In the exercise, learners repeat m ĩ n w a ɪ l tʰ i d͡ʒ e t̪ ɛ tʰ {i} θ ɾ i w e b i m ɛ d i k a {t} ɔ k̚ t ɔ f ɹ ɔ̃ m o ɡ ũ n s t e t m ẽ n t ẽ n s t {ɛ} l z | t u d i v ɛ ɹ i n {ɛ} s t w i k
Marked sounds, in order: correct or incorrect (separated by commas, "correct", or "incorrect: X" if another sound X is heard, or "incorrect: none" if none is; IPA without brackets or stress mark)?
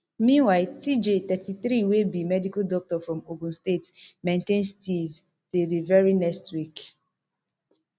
correct, incorrect: d, incorrect: i, correct